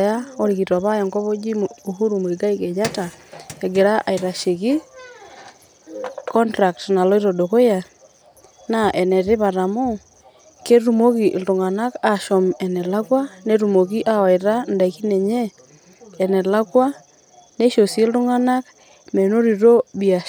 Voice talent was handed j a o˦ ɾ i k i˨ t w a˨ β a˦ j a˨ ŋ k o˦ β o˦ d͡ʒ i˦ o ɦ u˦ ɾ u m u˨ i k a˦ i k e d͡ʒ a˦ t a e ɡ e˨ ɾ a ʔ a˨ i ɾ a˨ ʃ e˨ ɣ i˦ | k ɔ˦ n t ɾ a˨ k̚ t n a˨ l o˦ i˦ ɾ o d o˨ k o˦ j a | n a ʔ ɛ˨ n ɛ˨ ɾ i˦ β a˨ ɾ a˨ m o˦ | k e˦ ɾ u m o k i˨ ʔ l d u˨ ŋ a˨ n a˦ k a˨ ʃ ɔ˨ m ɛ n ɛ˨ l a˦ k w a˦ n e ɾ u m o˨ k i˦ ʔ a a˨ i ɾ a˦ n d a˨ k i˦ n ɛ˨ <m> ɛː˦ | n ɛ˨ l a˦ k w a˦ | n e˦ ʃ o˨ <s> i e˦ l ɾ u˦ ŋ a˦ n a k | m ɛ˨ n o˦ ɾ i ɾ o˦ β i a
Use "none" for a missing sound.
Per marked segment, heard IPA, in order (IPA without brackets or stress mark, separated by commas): ɲ, s